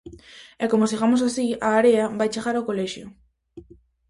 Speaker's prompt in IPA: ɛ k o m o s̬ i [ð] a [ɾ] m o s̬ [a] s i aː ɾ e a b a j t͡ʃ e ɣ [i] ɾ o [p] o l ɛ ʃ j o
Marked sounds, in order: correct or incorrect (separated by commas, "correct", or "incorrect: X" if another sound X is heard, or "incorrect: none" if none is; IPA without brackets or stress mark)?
incorrect: ɣ, incorrect: none, correct, incorrect: a, incorrect: k